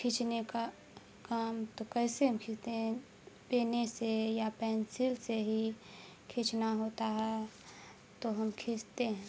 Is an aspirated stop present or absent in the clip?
present